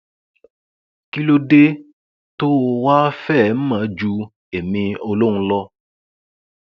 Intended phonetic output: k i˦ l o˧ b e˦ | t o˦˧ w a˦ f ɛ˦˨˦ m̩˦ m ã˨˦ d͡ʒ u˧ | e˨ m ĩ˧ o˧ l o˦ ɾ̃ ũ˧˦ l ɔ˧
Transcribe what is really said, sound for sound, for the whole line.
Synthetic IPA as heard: k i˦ l o˧ d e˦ | t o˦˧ w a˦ f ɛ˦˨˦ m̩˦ m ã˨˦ d͡ʒ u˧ | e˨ m ĩ˧ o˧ l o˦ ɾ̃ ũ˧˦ l ɔ˧